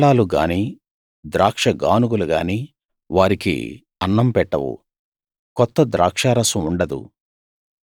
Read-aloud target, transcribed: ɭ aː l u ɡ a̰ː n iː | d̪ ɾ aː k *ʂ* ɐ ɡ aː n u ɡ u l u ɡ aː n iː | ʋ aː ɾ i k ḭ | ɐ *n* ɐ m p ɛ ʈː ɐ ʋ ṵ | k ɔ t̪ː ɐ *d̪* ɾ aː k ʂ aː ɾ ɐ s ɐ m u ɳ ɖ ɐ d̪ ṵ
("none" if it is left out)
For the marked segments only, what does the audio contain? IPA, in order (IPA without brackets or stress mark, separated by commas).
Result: ʂ, nː, d̪